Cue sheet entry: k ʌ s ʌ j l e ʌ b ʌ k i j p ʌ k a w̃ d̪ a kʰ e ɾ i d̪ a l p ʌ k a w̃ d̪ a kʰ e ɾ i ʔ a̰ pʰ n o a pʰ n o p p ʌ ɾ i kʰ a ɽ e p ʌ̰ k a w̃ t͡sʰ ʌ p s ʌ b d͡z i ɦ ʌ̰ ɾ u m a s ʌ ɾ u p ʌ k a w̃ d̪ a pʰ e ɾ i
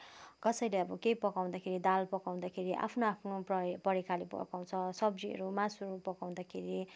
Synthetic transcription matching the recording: k ʌ s ʌ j l e ʌ b ʌ k e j p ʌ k a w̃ d̪ a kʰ e ɾ i d̪ a l p ʌ k a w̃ d̪ a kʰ e ɾ i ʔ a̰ pʰ n o a pʰ n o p p ʌ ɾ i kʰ a l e p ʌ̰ k a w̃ t͡sʰ ʌ s ʌ b d͡z i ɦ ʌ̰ ɾ u m a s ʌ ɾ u p ʌ k a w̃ d̪ a kʰ e ɾ i